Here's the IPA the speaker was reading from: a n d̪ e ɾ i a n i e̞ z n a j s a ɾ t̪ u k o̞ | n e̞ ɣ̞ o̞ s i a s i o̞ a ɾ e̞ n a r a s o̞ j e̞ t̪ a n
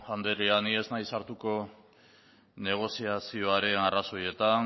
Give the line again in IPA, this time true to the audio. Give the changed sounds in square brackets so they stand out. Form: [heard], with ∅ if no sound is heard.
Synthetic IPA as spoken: a n d̪ e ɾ i a n i e̞ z n a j s a ɾ t̪ u k o̞ | n e̞ ɣ̞ o̞ s i a s i o̞ a ɾ e̞ n a r a s o̞ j e̞ t̪ a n